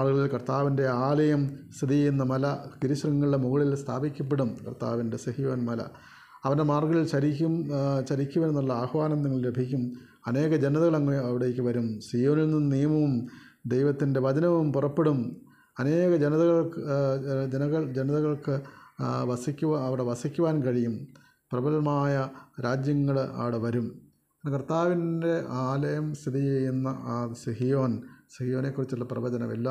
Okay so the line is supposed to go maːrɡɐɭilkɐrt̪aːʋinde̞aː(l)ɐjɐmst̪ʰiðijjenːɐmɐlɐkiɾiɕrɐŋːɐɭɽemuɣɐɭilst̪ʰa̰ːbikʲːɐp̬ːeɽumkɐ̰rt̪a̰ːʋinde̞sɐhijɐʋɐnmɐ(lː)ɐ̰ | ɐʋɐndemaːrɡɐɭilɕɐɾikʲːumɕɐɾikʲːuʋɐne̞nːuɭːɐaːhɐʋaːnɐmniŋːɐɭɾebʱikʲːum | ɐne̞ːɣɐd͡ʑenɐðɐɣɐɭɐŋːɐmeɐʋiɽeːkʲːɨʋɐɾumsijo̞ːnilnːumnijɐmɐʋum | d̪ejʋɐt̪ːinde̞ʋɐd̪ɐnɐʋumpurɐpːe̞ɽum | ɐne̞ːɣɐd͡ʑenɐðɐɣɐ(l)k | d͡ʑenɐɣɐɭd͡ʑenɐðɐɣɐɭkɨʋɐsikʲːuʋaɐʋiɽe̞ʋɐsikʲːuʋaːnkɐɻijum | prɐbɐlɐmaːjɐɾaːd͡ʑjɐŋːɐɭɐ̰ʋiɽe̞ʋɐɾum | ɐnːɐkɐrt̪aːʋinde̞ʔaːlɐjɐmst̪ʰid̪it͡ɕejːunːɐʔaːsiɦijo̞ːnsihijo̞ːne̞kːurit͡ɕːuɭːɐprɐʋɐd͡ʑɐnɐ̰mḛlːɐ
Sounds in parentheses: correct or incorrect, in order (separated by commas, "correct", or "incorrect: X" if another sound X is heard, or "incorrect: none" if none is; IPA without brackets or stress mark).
correct, incorrect: l, incorrect: ɭ